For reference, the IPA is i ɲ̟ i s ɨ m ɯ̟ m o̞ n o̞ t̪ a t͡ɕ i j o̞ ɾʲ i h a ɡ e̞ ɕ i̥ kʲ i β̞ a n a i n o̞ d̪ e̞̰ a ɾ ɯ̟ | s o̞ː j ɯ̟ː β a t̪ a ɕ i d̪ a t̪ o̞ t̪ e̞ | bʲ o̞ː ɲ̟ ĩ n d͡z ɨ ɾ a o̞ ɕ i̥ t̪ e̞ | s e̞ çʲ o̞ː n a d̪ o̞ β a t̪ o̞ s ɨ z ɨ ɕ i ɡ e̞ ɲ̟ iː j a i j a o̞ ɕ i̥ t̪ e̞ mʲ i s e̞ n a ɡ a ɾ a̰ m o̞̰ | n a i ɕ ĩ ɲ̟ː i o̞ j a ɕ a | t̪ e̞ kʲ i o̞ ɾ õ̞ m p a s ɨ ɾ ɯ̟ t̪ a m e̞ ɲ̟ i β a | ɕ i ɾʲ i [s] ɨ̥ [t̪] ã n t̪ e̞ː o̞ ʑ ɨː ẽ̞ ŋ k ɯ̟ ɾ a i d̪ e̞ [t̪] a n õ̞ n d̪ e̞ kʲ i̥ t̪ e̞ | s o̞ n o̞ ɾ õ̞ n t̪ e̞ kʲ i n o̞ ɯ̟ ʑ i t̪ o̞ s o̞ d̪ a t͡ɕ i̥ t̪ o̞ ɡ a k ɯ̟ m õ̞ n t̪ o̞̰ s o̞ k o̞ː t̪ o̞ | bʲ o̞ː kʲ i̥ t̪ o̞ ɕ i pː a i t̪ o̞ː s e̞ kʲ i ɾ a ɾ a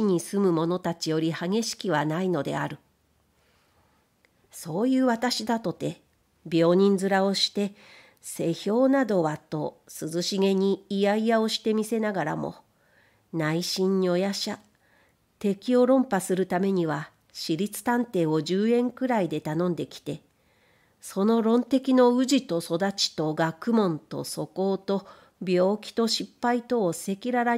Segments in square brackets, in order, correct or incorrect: incorrect: t͡s, correct, correct

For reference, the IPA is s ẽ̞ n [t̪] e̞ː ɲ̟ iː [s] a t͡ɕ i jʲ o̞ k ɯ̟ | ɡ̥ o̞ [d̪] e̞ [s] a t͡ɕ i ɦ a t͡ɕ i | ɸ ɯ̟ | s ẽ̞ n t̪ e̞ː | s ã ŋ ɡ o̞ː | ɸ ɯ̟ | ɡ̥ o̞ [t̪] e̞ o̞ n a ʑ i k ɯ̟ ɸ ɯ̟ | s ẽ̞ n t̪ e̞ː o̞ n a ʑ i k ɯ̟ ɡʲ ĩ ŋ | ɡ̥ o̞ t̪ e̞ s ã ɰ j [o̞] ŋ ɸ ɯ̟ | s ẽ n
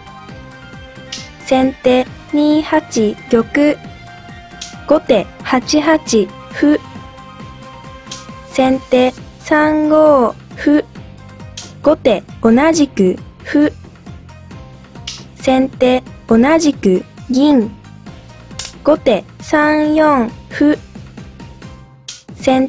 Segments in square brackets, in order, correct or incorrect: correct, incorrect: h, incorrect: t̪, incorrect: h, correct, incorrect: õ̞

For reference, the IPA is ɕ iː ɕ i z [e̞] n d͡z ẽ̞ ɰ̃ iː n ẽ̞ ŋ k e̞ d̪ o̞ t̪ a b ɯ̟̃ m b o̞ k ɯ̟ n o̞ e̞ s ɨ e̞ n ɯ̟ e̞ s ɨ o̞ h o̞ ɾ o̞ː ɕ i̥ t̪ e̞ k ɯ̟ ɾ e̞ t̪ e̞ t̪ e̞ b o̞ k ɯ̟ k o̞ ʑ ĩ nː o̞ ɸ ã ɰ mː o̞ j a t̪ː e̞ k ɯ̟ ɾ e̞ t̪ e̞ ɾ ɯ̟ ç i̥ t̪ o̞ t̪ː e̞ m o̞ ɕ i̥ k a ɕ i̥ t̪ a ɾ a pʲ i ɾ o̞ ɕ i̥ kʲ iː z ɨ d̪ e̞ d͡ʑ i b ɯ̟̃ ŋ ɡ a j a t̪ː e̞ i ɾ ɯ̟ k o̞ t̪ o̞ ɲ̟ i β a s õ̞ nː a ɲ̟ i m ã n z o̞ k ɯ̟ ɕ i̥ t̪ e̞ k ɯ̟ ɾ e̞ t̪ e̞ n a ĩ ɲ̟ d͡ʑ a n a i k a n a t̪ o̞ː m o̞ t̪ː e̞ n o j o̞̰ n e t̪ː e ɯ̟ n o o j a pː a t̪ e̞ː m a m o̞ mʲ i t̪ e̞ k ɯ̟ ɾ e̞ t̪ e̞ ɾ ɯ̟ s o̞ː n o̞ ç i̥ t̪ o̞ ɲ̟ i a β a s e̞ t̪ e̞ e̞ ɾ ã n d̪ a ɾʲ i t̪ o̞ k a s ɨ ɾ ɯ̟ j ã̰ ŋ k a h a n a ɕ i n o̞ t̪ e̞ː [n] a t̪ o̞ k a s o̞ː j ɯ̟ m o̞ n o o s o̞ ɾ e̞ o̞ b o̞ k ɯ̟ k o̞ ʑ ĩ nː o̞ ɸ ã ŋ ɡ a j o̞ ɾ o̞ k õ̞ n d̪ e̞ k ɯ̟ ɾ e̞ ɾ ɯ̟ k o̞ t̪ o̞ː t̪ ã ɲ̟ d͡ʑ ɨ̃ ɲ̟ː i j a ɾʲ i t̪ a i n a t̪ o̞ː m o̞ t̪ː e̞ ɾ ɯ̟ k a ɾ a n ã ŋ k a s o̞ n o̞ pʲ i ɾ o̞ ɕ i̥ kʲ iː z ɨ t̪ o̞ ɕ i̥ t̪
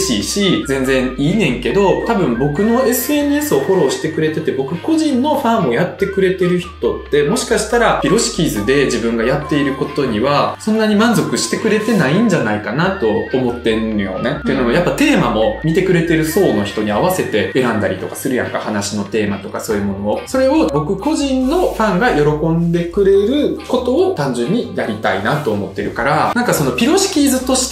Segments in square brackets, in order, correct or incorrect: incorrect: ẽ̞, incorrect: m

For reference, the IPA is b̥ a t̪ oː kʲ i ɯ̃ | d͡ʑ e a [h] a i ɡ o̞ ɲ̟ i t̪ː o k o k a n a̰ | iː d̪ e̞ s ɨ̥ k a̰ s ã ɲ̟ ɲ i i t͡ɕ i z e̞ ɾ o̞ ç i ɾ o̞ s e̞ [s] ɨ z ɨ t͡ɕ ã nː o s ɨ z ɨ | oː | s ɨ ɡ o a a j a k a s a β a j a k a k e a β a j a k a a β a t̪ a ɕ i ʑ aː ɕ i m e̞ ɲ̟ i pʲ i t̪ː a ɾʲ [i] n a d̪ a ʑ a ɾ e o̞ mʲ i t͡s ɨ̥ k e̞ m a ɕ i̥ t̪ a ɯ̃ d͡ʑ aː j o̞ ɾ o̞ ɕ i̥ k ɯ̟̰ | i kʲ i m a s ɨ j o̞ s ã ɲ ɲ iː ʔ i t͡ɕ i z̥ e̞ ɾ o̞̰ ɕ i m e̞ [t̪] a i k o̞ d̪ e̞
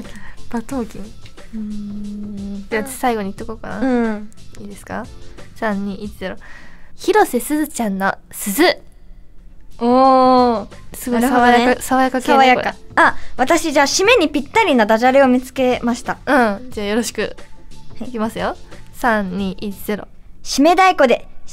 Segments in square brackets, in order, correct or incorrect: incorrect: s, correct, correct, incorrect: d̪

